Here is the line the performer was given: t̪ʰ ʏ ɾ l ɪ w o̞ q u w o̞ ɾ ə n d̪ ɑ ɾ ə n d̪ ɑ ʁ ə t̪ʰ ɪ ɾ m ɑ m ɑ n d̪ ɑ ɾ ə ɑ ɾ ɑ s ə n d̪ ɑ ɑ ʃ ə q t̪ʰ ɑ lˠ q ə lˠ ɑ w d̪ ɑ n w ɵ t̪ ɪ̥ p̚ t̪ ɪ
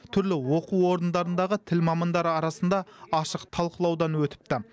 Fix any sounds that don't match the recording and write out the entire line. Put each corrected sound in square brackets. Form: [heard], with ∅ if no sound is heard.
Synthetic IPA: t̪ʰ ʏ ɾ l ɪ w o̞ q u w o̞ ɾ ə n d̪ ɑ ɾ ə n d̪ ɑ ʁ ə t̪ʰ ɪ [l] m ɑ m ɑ n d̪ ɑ ɾ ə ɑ ɾ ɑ s ə n d̪ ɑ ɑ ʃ ə q t̪ʰ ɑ lˠ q ə lˠ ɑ w d̪ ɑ n w ɵ t̪ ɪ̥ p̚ t̪ ɪ